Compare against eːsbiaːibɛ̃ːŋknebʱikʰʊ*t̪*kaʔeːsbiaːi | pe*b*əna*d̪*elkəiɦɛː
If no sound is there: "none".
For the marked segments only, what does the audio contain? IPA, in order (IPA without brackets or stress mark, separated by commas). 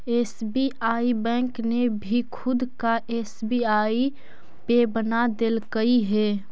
d̪, b, d̪